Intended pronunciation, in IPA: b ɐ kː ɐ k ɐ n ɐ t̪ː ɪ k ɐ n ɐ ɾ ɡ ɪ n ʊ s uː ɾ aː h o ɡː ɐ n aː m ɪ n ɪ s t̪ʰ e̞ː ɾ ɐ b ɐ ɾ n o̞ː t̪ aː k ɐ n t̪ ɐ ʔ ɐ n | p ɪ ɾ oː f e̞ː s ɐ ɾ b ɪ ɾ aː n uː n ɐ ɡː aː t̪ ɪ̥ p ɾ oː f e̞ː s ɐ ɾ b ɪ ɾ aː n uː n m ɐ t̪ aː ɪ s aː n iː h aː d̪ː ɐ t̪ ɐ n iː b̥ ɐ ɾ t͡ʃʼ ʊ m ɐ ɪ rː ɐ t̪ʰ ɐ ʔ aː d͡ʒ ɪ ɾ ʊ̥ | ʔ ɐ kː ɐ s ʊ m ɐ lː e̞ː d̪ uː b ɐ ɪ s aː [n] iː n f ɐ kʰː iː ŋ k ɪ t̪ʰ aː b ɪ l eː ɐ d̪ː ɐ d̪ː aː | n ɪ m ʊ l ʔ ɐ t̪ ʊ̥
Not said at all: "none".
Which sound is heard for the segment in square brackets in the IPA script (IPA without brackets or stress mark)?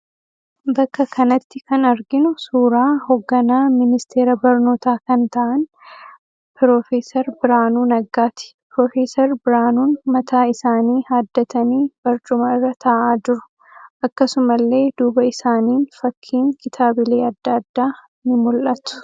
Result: n